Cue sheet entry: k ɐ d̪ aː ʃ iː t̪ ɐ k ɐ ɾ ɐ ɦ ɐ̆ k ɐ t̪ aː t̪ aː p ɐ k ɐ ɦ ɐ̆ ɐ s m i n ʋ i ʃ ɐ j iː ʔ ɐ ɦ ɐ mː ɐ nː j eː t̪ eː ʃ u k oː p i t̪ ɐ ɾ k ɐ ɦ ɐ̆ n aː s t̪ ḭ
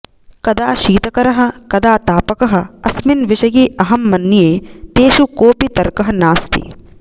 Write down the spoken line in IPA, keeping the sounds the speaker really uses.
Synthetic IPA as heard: k ɐ d̪ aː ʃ iː t̪ ɐ k ɐ ɾ ɐ ɦ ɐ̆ k ɐ d̪ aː t̪ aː p ɐ k ɐ ɦ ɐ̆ ɐ s m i n ʋ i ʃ ɐ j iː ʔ ɐ ɦ ɐ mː ɐ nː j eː t̪ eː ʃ u k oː p i t̪ ɐ ɾ k ɐ ɦ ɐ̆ n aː s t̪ ḭ